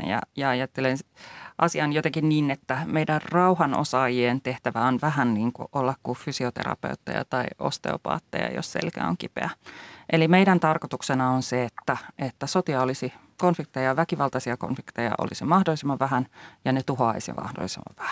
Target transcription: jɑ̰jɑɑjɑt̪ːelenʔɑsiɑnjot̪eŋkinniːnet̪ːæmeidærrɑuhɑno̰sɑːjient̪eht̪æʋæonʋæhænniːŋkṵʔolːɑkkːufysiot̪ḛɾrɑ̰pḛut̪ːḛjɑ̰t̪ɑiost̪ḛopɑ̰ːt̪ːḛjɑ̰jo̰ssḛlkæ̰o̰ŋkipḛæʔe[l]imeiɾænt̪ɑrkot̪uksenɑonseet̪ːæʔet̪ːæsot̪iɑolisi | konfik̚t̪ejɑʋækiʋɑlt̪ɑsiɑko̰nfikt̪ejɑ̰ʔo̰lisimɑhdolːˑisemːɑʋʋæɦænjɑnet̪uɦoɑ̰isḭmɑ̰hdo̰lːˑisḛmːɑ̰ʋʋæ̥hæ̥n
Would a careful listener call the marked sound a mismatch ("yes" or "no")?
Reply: no